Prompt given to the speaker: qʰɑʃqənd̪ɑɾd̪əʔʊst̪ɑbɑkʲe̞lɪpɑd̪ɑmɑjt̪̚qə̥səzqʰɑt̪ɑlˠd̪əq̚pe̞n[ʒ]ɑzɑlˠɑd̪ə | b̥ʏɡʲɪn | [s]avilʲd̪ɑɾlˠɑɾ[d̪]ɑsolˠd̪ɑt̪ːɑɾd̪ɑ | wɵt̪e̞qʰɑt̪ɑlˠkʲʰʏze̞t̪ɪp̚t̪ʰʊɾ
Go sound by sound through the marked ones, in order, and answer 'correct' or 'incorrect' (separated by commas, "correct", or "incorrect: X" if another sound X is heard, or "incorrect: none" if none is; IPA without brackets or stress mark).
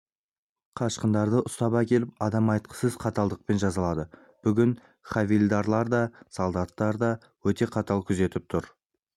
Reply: correct, incorrect: χ, correct